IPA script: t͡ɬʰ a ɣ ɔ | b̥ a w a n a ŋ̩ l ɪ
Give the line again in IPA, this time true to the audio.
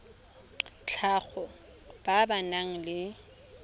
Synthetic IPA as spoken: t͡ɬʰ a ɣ ɔ | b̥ a b a n a ŋ̩ l ɪ